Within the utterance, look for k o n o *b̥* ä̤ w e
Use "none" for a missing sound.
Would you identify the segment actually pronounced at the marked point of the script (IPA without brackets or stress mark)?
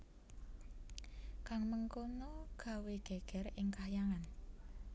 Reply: ɡ̥